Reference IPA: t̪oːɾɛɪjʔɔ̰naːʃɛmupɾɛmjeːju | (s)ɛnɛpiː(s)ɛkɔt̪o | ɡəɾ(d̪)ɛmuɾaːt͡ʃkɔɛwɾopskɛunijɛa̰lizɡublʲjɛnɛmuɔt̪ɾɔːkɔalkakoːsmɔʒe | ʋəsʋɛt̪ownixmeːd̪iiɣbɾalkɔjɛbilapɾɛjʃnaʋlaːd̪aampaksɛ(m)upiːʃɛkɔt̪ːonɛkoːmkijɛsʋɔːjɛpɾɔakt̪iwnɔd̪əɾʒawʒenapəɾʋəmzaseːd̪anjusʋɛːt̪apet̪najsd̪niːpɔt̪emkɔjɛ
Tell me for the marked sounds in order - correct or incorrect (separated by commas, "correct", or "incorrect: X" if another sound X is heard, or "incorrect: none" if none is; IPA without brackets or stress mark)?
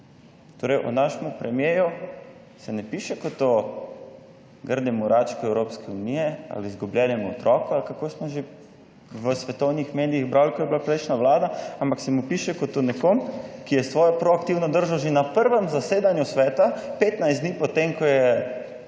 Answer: correct, incorrect: ʃ, correct, correct